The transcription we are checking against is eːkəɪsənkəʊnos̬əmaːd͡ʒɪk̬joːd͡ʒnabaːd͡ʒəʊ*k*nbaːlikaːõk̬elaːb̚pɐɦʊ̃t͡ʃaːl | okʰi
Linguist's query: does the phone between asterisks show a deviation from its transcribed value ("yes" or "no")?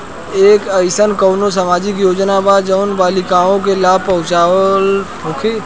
yes